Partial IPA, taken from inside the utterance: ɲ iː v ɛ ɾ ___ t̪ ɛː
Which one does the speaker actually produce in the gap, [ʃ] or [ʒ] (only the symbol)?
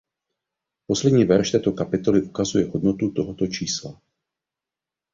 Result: ʃ